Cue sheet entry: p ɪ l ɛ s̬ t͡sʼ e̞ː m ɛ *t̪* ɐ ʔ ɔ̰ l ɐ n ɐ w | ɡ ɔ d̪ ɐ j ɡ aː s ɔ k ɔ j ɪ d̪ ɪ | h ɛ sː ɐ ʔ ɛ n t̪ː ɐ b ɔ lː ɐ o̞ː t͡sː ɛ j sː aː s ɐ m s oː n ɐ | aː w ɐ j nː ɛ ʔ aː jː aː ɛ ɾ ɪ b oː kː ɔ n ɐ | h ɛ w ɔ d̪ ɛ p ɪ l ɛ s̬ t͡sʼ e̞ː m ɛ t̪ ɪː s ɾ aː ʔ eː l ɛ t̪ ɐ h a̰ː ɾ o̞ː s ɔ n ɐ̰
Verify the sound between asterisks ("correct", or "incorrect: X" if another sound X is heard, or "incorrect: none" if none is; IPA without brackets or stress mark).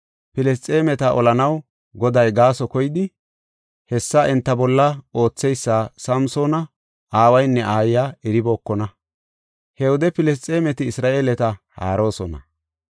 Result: correct